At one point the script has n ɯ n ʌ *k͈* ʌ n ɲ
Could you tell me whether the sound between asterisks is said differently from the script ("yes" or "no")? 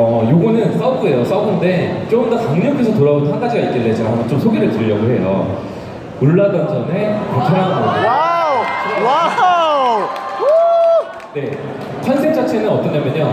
yes